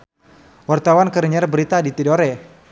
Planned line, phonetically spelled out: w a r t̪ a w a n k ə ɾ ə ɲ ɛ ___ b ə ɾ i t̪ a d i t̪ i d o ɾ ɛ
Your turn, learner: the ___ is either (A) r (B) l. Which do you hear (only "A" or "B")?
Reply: A